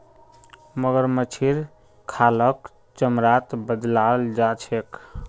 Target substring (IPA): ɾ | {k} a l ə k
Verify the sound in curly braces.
incorrect: kʰ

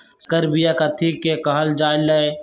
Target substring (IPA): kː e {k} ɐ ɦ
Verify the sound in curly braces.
correct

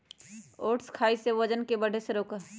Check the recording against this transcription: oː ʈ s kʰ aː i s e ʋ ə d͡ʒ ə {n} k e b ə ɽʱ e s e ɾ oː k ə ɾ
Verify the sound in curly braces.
correct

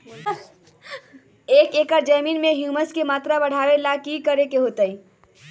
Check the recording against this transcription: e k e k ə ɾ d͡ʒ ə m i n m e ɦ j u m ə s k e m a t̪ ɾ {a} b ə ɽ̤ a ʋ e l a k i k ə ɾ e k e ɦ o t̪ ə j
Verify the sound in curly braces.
correct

